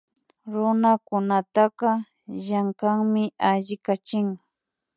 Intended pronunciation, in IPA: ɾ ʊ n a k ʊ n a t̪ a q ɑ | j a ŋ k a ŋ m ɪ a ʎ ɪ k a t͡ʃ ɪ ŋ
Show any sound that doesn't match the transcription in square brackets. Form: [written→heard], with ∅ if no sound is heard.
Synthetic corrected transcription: ɾ ʊ n a k ʊ n a t̪ a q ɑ | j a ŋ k a ŋ m ɪ a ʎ ɪ k a t͡ʃ ɪ ŋ